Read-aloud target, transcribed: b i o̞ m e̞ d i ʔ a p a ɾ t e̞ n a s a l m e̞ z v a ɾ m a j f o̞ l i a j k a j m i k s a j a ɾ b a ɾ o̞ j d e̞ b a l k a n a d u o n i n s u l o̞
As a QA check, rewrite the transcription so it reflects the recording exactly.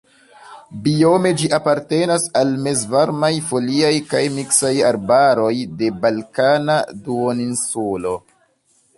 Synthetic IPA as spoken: b i o̞ m e̞ d͡ʒ i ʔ a p a ɾ t e̞ n a s a l m e̞ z v a ɾ m a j f o̞ l i a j k a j m i k s a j a ɾ b a ɾ o̞ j d e̞ b a l k a n a d u o n i n s u l o̞